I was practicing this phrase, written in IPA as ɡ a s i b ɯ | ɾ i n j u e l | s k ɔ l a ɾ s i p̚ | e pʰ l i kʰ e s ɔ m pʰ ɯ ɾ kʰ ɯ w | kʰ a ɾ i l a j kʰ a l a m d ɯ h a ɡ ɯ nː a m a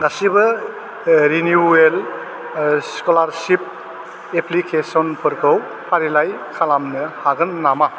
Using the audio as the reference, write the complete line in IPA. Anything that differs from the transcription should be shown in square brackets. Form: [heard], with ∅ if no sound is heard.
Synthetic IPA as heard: ɡ a s i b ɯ | ɾ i n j u e l | s k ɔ l a ɾ s i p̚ | e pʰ l i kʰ e s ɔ [n] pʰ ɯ ɾ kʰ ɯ w | [pʰ] a ɾ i l a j kʰ a l a m [n] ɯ h a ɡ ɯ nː a m a

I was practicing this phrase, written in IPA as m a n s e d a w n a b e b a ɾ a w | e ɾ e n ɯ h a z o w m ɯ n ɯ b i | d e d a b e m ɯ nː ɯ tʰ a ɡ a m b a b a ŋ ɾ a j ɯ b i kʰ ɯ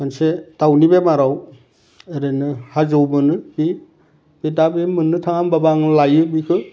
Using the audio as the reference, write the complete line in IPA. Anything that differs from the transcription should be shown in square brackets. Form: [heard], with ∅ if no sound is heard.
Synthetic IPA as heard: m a n s e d a w n [i] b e [m] a ɾ a w | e ɾ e n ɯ h a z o w m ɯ n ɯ b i | [b] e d a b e m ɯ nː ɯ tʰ a [ŋ] a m b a b a ŋ [l] a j ɯ b i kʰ ɯ

